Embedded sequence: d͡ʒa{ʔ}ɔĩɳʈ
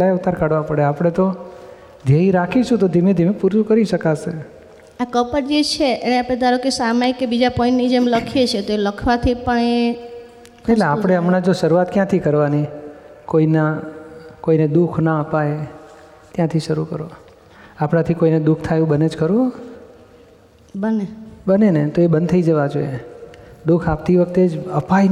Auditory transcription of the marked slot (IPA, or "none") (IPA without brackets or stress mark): p